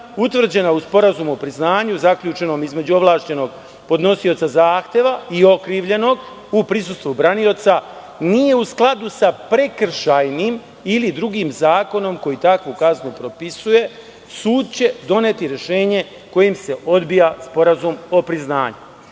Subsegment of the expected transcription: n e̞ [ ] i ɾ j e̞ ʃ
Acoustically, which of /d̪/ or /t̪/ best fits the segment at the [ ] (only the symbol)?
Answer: t̪